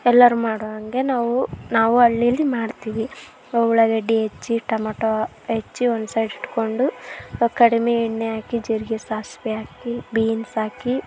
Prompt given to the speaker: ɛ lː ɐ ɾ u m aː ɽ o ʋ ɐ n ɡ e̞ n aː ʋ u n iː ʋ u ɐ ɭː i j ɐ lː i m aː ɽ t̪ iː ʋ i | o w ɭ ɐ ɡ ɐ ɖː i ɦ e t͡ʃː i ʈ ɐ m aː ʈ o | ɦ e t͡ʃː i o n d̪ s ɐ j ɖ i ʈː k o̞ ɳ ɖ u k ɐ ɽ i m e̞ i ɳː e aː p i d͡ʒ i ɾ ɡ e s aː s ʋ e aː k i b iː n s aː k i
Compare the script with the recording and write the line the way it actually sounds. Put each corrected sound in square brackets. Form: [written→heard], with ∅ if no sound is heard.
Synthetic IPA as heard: ɛ lː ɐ ɾ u m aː ɽ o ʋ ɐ [n→ŋ] ɡ e̞ n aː ʋ u n [iː→aː] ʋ u ɐ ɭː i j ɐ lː i m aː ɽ t̪ iː ʋ i | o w ɭ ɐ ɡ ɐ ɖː i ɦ e t͡ʃː i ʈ ɐ m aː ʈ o | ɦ e t͡ʃː i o n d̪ s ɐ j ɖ i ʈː k o̞ ɳ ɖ u k ɐ ɽ i m e̞ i ɳː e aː [p→k] i d͡ʒ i ɾ ɡ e s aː s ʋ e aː k i b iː n s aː k i